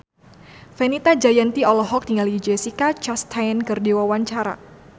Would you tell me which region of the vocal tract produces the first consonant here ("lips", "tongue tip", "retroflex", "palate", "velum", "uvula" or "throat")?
lips